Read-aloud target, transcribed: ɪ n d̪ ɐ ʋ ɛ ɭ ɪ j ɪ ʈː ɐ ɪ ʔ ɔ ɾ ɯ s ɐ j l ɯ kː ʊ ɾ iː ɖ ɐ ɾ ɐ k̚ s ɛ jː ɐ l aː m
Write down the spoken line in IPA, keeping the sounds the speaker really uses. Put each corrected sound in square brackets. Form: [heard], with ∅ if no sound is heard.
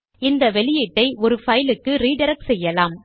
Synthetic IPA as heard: ɪ n d̪ ɐ ʋ ɛ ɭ ɪ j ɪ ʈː ɐ ɪ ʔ ɔ ɾ ɯ [f] ɐ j l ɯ kː [ɯ] ɾ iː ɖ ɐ ɾ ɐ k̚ s ɛ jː ɐ l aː m